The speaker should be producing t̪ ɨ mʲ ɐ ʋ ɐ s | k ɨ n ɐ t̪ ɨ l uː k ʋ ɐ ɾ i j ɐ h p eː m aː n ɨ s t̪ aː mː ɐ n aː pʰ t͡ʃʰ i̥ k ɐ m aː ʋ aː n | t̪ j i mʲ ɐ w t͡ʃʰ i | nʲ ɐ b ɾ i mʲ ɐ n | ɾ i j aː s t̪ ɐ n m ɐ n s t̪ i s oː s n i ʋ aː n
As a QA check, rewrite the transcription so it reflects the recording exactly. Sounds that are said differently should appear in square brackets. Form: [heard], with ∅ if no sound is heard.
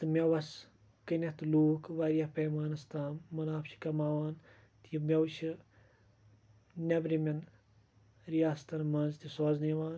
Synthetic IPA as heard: t̪ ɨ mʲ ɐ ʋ ɐ s | k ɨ n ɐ t̪ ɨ l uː k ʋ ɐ ɾ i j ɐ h p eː m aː n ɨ s t̪ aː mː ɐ n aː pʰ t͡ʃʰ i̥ k ɐ m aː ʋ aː n | t̪ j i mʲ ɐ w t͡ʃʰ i | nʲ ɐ b ɾ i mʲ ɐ n | ɾ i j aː s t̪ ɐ n m ɐ n [z] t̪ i s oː [z] n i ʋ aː n